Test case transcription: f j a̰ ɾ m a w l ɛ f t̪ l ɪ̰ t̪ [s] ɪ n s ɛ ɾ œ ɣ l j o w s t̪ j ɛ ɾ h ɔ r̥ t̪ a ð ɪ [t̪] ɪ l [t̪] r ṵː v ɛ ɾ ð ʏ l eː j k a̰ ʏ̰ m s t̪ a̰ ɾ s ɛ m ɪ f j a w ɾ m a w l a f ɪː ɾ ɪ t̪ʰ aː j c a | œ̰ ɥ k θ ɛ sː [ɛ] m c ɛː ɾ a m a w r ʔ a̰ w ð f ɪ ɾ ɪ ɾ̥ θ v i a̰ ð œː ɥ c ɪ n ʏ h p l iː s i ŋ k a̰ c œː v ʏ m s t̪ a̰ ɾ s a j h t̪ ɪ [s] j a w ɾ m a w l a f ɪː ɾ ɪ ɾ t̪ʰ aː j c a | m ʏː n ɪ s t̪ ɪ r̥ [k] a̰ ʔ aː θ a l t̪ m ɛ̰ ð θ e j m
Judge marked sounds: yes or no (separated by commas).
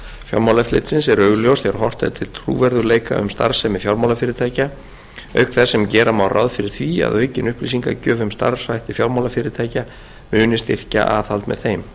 yes, no, no, yes, no, no